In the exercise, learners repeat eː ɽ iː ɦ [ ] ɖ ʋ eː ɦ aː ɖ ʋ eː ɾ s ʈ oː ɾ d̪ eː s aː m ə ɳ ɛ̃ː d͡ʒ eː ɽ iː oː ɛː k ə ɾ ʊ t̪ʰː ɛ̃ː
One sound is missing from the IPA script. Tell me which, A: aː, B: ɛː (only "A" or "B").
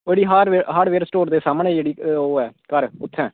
A